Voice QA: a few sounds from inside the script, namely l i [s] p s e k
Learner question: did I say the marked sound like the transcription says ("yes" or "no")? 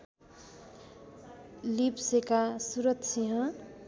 no